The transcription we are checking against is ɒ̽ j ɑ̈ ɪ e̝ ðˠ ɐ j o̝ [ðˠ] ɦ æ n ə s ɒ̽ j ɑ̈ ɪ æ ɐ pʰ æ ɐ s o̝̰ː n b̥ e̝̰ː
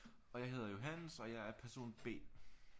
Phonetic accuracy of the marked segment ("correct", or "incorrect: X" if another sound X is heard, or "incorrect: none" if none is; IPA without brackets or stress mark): incorrect: none